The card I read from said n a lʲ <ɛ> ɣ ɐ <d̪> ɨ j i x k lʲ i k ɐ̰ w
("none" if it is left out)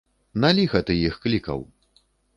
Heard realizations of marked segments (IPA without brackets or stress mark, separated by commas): i, t̪